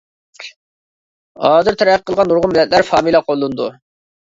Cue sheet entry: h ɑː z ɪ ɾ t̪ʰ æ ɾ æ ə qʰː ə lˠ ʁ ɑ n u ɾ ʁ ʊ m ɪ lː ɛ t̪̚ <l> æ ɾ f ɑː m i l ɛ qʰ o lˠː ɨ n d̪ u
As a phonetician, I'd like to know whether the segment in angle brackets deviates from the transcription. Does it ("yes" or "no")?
no